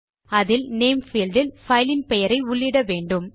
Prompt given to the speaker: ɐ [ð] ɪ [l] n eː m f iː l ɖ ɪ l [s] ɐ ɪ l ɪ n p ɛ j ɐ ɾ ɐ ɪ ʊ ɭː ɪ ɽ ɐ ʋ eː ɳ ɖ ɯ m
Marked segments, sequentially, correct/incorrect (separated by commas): correct, correct, incorrect